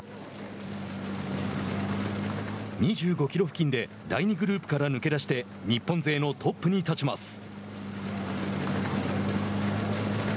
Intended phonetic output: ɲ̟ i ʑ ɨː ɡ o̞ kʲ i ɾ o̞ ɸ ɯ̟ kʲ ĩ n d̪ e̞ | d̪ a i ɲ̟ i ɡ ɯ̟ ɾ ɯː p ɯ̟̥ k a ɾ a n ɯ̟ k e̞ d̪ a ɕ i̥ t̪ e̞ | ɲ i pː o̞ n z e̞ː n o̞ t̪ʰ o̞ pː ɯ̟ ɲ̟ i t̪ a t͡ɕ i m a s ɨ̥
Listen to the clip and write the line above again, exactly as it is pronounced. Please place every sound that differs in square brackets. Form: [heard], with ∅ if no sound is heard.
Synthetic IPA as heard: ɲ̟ i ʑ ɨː ɡ o̞ kʲ i ɾ o̞ ɸ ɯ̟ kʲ ĩ n d̪ e̞ | d̪ a i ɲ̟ i ɡ ɯ̟ ɾ ɯː p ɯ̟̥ k a ɾ a n ɯ̟ k e̞ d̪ a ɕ i̥ t̪ e̞ | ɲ i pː [õ̞] n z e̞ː n o̞ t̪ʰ o̞ pː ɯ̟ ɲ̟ i t̪ a t͡ɕ i m a s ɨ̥

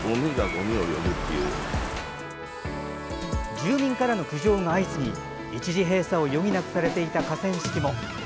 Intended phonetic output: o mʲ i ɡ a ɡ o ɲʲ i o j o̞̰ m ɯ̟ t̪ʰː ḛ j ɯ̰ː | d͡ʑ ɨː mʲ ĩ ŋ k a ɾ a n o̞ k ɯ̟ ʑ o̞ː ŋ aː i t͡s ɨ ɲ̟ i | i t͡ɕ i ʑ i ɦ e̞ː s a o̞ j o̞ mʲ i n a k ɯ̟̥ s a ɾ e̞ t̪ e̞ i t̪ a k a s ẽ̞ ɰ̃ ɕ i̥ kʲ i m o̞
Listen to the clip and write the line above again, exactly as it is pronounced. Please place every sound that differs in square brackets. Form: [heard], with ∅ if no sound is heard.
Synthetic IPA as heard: o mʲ i ɡ a ɡ o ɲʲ i o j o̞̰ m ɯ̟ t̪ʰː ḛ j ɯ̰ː | d͡ʑ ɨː mʲ ĩ ŋ k a ɾ a n o̞ k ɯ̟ ʑ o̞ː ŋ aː i t͡s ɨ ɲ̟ i | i t͡ɕ i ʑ i ɦ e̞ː s a o̞ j o̞ mʲ i n a k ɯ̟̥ s a ɾ e̞ t̪ e̞ i t̪ a k a s ẽ̞ ɰ̃ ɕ i̥ kʲ i m o̞

